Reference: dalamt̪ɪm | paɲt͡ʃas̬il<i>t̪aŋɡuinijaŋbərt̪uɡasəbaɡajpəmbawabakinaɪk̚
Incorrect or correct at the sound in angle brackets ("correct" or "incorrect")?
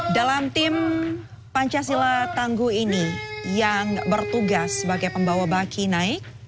incorrect